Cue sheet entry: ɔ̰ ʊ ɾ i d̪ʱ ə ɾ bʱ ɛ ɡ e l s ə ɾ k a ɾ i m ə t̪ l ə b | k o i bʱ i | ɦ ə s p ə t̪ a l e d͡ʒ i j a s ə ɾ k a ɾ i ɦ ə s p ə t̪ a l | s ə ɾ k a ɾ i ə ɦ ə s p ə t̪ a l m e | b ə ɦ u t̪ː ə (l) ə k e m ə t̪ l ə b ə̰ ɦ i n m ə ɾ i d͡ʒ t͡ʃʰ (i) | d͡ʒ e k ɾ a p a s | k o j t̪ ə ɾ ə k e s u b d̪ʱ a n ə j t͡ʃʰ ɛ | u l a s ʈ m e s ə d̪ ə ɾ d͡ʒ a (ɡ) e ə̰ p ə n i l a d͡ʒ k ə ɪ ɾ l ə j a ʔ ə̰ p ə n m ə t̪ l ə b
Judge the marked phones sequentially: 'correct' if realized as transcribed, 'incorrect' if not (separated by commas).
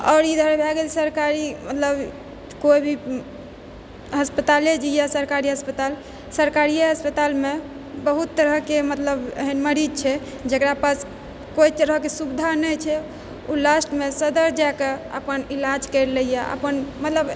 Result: incorrect, incorrect, incorrect